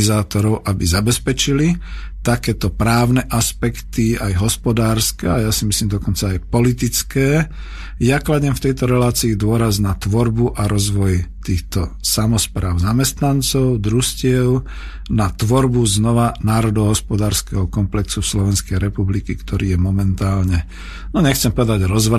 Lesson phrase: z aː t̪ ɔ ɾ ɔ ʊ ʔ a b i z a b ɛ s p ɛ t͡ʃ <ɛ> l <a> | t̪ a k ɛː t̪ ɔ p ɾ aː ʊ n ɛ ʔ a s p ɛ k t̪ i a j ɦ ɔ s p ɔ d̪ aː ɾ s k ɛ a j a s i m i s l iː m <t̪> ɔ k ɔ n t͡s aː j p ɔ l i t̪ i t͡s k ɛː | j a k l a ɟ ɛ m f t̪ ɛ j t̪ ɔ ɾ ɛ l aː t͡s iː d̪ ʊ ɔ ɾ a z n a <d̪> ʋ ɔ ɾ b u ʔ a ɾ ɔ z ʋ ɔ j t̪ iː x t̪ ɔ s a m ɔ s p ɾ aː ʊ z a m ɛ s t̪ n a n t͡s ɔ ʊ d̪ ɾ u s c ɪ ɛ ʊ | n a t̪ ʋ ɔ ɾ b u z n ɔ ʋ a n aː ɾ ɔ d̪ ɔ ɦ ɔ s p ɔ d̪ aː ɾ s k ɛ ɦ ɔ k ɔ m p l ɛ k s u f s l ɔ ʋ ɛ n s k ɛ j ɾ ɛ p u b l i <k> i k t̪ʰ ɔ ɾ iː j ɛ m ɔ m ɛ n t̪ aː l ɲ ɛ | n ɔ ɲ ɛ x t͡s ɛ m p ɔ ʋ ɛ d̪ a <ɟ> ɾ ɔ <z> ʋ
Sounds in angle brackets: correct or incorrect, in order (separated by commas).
incorrect, incorrect, incorrect, incorrect, correct, correct, correct